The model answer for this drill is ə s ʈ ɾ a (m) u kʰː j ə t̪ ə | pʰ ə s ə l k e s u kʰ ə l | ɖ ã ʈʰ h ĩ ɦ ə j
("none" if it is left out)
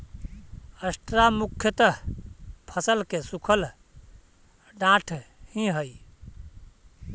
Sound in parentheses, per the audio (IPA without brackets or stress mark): m